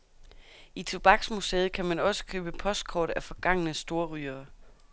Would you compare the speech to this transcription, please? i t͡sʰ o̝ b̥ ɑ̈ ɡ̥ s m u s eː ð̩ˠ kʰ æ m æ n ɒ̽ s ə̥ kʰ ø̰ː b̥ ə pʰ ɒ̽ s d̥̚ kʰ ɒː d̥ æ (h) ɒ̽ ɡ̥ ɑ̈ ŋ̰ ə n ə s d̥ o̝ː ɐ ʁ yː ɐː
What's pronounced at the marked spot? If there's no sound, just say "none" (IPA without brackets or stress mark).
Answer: f